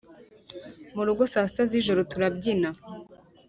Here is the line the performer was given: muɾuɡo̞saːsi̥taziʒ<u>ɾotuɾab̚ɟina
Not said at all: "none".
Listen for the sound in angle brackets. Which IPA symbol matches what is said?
o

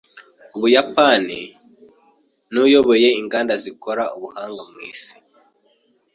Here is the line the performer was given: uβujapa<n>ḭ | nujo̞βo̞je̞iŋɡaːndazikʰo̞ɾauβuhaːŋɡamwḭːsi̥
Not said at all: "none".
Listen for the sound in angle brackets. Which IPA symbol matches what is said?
n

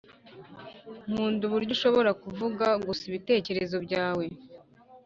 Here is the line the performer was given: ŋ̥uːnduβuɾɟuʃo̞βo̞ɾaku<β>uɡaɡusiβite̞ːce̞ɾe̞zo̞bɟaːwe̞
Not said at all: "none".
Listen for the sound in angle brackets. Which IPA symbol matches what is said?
v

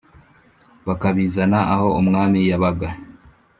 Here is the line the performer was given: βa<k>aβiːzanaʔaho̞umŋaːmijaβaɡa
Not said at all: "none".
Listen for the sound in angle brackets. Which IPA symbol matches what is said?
k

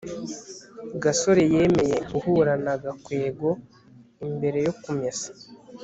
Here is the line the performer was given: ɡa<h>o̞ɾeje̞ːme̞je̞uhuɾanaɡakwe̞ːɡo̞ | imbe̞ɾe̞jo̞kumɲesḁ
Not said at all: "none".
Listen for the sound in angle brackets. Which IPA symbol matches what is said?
s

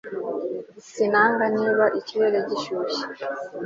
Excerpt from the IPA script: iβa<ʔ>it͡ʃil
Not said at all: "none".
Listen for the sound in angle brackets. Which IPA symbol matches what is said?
ʔ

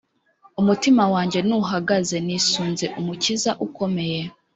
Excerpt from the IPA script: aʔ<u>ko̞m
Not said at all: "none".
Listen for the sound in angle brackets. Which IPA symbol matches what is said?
u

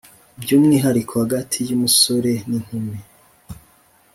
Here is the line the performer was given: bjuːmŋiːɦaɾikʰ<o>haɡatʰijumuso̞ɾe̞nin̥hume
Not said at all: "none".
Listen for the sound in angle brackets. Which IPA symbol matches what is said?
o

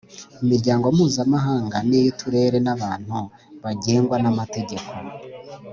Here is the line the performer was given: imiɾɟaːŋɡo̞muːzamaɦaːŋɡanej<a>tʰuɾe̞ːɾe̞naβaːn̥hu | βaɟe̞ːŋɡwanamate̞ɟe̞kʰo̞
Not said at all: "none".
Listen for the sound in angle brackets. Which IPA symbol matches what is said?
i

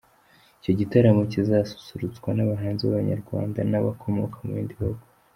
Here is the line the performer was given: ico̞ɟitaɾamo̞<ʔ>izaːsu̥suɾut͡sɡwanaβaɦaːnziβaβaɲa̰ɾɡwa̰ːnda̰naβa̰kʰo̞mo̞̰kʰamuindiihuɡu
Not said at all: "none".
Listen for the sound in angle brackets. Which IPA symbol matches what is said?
c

